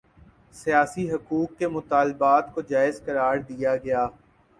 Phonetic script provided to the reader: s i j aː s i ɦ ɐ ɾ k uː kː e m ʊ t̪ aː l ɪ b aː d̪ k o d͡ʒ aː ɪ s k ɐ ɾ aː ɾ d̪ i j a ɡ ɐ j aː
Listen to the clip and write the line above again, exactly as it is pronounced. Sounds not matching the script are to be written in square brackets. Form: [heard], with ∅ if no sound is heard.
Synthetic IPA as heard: s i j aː s i ɦ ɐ [∅] k uː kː e m ʊ t̪ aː l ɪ b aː [t̪] k o d͡ʒ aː ɪ [z] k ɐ ɾ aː ɾ d̪ i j a ɡ ɐ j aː